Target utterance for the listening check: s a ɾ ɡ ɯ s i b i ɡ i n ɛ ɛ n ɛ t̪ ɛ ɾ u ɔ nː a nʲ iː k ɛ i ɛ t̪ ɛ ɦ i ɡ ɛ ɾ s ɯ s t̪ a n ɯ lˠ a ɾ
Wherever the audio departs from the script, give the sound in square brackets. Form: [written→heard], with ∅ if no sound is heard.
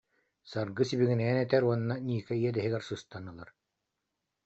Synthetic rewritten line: s a ɾ ɡ ɯ s i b i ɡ i n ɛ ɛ n ɛ t̪ ɛ ɾ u ɔ nː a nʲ iː k ɛ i ɛ [t̪→d̪] ɛ ɦ i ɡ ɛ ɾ s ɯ s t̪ a n ɯ lˠ a ɾ